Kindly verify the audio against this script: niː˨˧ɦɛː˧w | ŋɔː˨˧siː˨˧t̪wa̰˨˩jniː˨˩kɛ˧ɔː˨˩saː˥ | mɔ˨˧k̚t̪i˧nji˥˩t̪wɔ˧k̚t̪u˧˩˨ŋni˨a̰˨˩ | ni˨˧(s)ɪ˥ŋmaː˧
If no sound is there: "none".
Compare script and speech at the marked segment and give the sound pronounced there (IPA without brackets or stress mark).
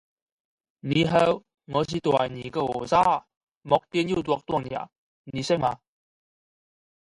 s